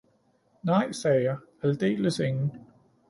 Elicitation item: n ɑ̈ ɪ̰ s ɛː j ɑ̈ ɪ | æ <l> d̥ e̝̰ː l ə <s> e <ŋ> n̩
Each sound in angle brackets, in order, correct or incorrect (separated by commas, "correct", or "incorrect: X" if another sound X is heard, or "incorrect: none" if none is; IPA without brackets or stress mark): correct, correct, correct